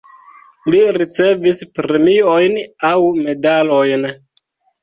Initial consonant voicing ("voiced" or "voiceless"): voiced